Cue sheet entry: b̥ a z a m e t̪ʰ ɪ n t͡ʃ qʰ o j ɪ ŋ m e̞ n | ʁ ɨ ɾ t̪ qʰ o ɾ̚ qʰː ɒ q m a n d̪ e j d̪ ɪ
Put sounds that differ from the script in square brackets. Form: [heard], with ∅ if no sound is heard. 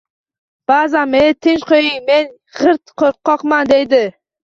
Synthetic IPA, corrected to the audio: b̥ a z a m e t̪ʰ ɪ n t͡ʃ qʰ o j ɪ ŋ m e̞ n | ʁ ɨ ɾ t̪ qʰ o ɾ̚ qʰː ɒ q m a n d̪ e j d̪ ɪ

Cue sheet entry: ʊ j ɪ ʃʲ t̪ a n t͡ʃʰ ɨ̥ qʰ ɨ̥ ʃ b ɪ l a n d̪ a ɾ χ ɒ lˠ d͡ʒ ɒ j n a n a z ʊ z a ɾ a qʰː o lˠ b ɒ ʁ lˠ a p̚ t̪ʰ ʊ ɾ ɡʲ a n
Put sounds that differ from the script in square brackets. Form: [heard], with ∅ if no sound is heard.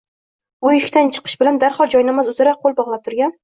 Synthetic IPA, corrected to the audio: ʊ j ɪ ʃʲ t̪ a n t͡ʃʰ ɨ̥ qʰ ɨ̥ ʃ b ɪ l a n d̪ a ɾ χ ɒ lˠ d͡ʒ ɒ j n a [m] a z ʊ z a ɾ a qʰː o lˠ b ɒ ʁ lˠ a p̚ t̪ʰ ʊ ɾ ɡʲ a n

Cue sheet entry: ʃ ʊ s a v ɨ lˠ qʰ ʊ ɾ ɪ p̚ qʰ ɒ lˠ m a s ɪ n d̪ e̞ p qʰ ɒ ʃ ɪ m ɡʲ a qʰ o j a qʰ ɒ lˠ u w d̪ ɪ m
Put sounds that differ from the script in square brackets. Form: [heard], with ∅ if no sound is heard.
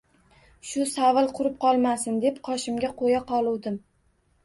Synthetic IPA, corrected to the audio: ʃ ʊ s a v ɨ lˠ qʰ ʊ ɾ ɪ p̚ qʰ ɒ lˠ m a s ɪ n d̪ e̞ p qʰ ɒ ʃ ɪ m ɡʲ a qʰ o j a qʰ ɒ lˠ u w d̪ ɪ m

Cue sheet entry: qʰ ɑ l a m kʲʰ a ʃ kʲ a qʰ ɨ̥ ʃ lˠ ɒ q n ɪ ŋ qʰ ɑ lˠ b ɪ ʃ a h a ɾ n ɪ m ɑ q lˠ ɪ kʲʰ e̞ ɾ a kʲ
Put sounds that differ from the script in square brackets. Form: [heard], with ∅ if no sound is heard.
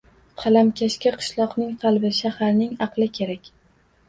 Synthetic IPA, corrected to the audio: qʰ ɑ l a m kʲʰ a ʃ kʲ a qʰ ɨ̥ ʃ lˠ ɒ q n ɪ ŋ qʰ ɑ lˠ b ɪ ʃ a h a ɾ n ɪ [ŋ] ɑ q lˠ ɪ kʲʰ e̞ ɾ a kʲ

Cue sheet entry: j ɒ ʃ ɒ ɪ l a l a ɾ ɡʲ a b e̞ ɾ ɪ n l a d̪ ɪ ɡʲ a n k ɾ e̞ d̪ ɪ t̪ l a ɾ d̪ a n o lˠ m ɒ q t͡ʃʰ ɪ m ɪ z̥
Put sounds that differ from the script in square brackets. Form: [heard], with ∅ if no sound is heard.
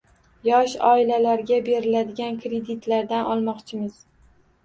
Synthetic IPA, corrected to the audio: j ɒ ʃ ɒ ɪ l a l a ɾ ɡʲ a b e̞ ɾ ɪ [∅] l a d̪ ɪ ɡʲ a n k ɾ e̞ d̪ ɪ t̪ l a ɾ d̪ a n [ɒ] lˠ m ɒ q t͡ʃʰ ɪ m ɪ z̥

